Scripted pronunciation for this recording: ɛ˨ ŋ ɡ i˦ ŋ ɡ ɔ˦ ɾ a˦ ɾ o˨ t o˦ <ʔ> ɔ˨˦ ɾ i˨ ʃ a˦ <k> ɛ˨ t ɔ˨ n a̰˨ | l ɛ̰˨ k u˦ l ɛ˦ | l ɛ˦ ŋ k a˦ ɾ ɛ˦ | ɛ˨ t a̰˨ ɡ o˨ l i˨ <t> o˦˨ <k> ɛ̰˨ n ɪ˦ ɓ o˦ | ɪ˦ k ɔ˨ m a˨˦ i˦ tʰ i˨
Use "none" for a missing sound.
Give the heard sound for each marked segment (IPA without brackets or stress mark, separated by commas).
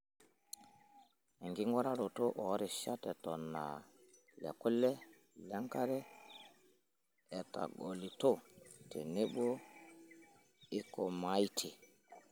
ʔ, t, t, t